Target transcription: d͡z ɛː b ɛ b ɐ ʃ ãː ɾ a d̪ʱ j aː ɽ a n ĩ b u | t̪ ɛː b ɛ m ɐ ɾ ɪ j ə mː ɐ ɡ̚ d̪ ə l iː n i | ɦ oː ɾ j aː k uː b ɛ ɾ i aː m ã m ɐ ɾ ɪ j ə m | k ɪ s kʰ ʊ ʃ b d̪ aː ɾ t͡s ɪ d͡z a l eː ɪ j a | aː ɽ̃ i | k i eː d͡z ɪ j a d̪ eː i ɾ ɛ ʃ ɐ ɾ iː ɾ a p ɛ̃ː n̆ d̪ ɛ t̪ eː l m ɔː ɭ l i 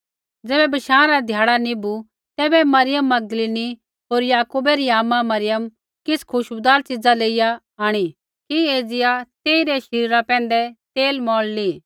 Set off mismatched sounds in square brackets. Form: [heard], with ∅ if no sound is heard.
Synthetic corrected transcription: d͡z ɛː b ɛ b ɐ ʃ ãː ɾ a d̪ʱ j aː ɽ a n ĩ b u | t̪ ɛː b ɛ m ɐ ɾ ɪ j ə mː ɐ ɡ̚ d̪ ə l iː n i | ɦ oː ɾ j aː k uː b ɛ ɾ i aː m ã m ɐ ɾ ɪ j ə m | k ɪ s kʰ ʊ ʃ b d̪ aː ɾ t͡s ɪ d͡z a l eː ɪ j a | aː ɽ̃ i | k i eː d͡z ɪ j a [t̪] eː i ɾ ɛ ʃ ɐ ɾ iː ɾ a p ɛ̃ː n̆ d̪ ɛ t̪ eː l m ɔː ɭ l i